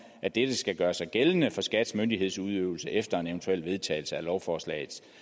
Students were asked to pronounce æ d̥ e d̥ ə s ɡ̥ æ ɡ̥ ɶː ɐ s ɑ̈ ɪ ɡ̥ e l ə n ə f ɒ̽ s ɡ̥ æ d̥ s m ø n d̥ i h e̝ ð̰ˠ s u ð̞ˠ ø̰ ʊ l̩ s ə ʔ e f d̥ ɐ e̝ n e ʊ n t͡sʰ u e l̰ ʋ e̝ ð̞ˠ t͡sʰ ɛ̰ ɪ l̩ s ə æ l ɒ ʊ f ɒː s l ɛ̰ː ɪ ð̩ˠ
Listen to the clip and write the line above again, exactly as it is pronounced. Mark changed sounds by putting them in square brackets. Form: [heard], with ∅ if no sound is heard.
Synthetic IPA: æ d̥ e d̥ ə s ɡ̥ æ ɡ̥ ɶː ɐ s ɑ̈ ɪ ɡ̥ e l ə n ə f ɒ̽ s ɡ̥ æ d̥ s m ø n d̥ i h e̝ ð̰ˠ s u ð̞ˠ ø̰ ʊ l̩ s ə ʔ e f d̥ ɐ e̝ n e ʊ n t͡sʰ u e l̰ ʋ e̝ ð̞ˠ t͡sʰ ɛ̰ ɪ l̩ s ə æ l ɒ ʊ f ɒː s l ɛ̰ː ɪ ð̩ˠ